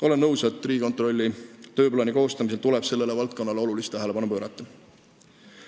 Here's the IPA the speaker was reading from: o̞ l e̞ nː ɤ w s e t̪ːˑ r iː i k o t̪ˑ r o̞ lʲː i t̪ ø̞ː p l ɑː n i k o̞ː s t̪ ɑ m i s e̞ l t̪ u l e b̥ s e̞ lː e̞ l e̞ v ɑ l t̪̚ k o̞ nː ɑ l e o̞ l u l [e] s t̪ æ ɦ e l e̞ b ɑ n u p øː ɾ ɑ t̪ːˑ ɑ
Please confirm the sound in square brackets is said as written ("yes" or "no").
no